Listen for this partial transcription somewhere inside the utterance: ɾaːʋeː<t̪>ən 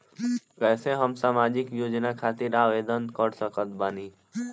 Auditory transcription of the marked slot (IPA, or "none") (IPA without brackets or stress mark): d̪